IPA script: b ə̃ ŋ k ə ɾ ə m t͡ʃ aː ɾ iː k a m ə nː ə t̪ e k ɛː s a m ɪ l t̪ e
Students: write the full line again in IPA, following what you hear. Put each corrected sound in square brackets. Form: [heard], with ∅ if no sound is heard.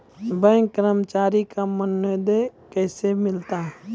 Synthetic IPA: b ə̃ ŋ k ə ɾ ə m t͡ʃ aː ɾ [i] k a m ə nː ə [d̪] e k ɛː s [e] m ɪ l t̪ [a]